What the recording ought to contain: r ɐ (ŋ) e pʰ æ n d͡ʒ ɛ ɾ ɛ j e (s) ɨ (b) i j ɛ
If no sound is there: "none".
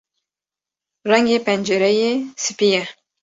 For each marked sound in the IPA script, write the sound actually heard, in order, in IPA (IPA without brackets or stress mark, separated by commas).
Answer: ŋ, s, p